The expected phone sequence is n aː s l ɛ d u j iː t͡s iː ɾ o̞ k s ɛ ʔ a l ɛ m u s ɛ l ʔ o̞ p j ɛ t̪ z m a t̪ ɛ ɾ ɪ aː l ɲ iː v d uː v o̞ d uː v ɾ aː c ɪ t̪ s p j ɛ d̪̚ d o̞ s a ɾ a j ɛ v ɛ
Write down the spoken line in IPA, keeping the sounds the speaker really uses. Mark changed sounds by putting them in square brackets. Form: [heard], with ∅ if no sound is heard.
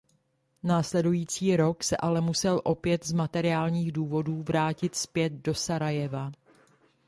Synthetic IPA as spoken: n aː s l ɛ d u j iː t͡s iː ɾ o̞ k s ɛ ʔ a l ɛ m u s ɛ l ʔ o̞ p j ɛ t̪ z m a t̪ ɛ ɾ ɪ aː l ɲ iː [ɣ] d uː v o̞ d uː v ɾ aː c ɪ t̪ s p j ɛ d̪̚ d o̞ s a ɾ a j ɛ v [a]